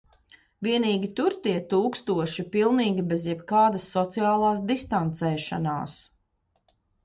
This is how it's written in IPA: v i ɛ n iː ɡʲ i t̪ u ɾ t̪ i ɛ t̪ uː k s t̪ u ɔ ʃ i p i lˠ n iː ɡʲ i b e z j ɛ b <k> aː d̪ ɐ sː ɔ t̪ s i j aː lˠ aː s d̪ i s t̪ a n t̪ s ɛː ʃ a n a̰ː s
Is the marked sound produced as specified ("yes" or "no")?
yes